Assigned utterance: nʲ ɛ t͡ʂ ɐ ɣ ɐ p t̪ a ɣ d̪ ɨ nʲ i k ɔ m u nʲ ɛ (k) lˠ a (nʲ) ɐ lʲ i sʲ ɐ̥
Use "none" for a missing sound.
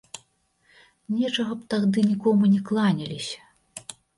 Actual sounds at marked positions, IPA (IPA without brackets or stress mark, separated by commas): k, nʲ